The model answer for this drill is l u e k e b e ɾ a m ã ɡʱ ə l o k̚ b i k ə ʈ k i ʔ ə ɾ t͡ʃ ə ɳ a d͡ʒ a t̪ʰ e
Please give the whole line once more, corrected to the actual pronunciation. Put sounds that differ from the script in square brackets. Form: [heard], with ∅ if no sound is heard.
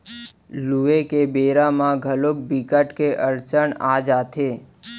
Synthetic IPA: l u e k e b e ɾ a m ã ɡʱ ə l o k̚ b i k ə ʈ k [e] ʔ ə ɾ t͡ʃ ə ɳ a d͡ʒ a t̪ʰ e